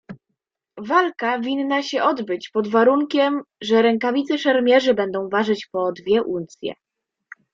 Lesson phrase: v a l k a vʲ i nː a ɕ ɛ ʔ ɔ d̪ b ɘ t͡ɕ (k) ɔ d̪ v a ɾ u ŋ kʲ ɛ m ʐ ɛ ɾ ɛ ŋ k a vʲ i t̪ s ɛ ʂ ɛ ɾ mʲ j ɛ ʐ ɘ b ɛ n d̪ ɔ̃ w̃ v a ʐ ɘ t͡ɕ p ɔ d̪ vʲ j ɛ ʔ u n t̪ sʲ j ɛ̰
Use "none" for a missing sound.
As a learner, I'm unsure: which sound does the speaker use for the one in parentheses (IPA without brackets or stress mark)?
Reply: p